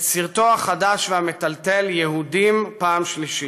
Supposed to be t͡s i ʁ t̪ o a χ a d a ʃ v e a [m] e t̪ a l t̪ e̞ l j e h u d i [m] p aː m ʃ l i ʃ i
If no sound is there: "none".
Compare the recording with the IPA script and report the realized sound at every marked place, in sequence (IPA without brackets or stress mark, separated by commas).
m, m